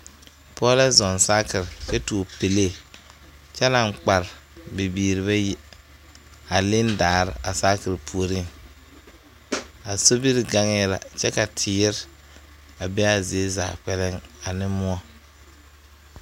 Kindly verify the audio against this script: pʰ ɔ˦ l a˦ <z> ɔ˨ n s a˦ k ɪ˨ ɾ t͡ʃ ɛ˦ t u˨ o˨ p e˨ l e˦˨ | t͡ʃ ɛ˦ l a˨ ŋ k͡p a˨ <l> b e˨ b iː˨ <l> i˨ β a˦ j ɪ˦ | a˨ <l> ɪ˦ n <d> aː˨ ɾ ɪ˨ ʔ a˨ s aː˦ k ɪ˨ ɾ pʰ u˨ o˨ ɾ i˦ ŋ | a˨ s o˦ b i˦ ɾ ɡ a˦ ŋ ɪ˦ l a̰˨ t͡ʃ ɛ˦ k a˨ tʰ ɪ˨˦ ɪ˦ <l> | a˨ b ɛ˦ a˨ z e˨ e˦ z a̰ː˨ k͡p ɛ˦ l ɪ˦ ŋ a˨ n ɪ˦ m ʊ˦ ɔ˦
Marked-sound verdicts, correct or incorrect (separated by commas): correct, incorrect, incorrect, correct, correct, incorrect